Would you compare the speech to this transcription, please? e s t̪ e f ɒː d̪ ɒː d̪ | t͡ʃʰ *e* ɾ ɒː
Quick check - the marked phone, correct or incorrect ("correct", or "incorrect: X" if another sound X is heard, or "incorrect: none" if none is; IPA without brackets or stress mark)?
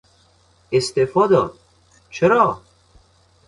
correct